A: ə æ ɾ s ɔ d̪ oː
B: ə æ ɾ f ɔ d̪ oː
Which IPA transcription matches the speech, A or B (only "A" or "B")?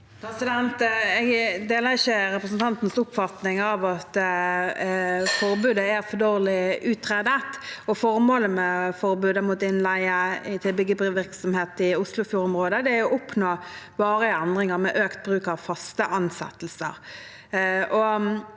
B